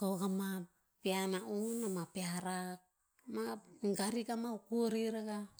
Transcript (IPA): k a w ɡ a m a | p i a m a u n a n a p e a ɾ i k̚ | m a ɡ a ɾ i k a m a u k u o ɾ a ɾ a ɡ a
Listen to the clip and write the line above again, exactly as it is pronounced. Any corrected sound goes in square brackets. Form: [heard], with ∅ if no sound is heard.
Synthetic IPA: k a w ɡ a m a | p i a [n] a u n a [m] a p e a ɾ [a] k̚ | m a ɡ a ɾ i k a m a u k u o ɾ [i] ɾ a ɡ a